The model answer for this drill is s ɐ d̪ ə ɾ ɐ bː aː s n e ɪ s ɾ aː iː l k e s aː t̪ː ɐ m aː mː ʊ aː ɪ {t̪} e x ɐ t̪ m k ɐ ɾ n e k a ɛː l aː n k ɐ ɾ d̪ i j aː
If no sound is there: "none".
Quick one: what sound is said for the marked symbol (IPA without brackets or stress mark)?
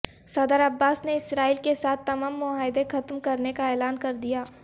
d̪